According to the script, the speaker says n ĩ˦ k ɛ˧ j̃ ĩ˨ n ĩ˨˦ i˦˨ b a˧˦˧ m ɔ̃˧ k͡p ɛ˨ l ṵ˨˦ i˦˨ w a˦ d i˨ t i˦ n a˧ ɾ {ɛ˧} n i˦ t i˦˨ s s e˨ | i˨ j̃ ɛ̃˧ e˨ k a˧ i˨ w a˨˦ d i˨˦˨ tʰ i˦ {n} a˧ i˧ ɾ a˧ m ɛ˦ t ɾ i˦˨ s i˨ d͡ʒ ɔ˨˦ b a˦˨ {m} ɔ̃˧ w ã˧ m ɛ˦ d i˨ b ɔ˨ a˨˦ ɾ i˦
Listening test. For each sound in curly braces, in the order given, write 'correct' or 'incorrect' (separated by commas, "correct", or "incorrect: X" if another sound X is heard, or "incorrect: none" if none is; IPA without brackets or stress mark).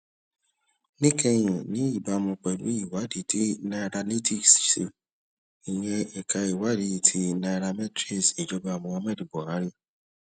incorrect: a˧, correct, correct